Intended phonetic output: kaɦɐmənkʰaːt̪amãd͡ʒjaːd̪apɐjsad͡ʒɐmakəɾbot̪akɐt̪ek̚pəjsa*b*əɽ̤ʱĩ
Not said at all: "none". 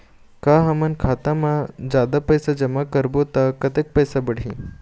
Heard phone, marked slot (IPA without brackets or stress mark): b